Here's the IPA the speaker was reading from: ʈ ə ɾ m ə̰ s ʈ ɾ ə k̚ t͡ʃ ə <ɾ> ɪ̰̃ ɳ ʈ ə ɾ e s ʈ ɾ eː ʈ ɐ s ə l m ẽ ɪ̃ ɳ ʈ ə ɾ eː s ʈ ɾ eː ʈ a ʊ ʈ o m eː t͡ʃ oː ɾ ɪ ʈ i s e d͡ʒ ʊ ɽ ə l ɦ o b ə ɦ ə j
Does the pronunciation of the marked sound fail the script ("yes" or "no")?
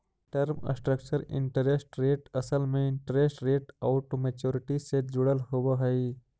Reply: no